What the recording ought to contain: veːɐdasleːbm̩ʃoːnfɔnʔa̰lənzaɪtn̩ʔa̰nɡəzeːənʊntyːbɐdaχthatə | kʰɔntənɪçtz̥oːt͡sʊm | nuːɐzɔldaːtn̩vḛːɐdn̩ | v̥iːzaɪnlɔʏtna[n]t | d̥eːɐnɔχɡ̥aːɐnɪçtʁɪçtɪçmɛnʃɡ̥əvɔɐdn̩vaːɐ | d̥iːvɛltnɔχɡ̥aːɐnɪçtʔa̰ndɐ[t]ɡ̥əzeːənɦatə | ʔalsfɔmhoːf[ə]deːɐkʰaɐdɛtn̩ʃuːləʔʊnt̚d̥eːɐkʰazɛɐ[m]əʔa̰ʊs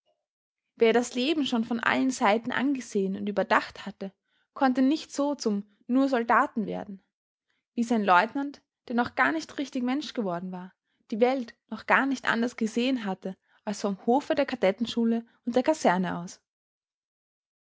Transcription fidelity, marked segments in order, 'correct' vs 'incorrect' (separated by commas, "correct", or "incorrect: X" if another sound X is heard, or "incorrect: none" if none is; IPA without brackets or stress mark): correct, incorrect: s, correct, incorrect: n